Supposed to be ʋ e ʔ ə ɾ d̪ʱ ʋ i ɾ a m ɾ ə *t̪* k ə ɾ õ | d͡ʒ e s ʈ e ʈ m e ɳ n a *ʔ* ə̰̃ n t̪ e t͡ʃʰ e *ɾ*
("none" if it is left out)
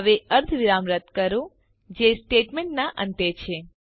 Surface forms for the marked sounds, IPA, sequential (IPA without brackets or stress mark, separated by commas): t̪, ʔ, none